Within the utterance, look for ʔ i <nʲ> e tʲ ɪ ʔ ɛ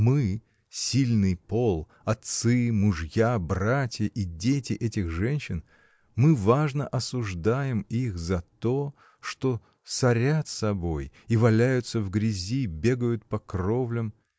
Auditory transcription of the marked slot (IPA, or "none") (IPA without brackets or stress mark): dʲ